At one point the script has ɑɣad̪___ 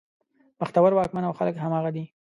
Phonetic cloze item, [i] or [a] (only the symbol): i